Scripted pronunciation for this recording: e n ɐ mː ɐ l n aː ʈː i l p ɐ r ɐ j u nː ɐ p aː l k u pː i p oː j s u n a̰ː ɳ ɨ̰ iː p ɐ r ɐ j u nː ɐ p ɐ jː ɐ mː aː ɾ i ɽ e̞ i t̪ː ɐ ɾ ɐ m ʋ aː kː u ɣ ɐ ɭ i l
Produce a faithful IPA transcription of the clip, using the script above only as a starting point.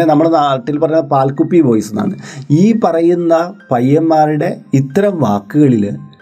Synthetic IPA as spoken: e n ɐ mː ɐ ɭ n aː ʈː i l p ɐ r ɐ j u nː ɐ p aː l k u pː i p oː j s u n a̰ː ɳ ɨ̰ iː p ɐ r ɐ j u nː ɐ p ɐ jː ɐ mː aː ɾ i ɽ e̞ i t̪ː ɐ ɾ ɐ m ʋ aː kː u ɣ ɐ ɭ i l